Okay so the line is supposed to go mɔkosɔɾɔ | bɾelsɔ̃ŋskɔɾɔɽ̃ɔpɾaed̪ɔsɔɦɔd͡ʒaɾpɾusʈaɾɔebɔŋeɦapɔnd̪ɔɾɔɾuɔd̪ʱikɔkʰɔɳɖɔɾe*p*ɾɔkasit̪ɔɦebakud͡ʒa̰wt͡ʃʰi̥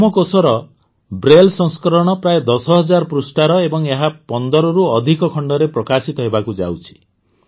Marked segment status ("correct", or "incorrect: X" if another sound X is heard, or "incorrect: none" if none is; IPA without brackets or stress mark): correct